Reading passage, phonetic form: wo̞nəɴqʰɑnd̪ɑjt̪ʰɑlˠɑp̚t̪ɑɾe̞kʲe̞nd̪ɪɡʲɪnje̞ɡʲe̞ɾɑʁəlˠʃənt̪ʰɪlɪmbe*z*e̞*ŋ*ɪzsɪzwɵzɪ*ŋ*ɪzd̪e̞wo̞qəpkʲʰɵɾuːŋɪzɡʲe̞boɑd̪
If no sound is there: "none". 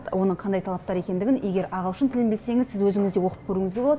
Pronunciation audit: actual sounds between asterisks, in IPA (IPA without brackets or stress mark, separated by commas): s, ŋ, ŋ